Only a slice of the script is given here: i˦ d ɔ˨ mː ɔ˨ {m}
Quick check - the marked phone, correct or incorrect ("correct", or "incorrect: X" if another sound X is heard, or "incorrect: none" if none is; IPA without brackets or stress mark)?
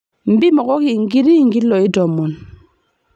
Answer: incorrect: n